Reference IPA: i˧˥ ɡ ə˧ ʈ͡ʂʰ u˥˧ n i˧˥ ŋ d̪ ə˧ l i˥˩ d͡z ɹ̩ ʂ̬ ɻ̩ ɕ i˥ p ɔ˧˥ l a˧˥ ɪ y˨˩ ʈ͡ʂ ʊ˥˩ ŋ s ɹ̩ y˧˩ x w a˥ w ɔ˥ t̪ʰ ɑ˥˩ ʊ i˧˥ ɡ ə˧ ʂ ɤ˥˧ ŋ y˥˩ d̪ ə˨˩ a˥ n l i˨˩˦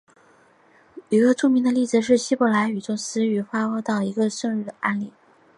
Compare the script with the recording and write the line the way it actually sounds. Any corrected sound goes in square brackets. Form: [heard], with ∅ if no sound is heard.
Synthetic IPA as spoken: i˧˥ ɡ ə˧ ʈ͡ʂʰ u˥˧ [m] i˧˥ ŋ d̪ ə˧ l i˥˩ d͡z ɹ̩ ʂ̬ ɻ̩ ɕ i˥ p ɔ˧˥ l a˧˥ ɪ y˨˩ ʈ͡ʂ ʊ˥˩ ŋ s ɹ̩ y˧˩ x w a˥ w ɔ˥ [t̪] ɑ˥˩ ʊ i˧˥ ɡ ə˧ ʂ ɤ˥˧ ŋ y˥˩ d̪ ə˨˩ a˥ n l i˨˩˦